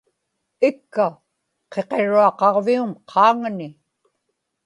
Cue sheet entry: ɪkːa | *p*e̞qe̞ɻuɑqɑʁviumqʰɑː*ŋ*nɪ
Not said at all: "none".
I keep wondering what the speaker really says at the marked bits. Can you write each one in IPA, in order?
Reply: q, ŋ

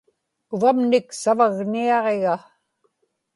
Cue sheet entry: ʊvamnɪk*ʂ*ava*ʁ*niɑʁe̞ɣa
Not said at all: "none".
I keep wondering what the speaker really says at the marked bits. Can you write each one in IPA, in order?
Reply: s, ɣ

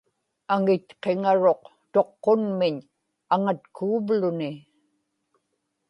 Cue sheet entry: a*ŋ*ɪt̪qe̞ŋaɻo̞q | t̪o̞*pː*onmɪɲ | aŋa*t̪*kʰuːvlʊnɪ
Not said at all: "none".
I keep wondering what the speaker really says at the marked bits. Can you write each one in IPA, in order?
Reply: ŋ, qː, t̪

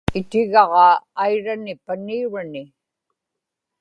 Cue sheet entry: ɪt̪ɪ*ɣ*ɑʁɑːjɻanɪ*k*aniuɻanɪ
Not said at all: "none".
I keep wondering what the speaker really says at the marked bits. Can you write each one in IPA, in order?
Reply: ɣ, p

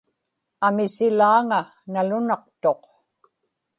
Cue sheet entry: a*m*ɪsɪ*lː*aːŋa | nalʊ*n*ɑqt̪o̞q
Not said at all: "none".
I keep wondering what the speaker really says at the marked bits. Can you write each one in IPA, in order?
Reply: m, l, n

